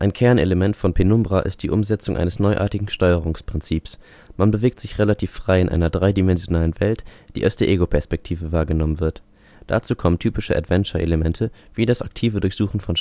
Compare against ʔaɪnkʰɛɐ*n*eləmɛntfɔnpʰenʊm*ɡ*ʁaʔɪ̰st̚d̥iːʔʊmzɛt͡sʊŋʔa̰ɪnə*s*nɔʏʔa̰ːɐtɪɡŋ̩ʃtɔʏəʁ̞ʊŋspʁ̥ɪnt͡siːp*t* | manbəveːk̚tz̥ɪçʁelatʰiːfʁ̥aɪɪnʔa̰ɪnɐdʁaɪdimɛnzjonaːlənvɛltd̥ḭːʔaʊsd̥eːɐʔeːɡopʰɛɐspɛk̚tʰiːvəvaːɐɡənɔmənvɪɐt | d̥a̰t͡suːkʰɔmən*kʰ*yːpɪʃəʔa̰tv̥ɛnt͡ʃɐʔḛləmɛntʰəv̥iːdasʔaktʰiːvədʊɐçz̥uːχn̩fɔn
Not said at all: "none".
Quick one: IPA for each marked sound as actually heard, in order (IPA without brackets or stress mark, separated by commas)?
n, b, s, s, tʰ